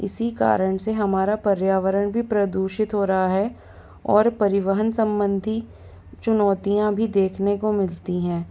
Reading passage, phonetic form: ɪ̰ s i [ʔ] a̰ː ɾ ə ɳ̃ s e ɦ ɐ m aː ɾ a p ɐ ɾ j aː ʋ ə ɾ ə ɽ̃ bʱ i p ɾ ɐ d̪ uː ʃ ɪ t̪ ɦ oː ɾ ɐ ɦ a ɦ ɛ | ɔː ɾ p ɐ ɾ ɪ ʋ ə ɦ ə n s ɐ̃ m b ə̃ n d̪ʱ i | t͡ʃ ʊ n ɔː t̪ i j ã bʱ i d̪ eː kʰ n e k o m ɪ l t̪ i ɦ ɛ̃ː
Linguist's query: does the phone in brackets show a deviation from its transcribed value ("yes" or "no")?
yes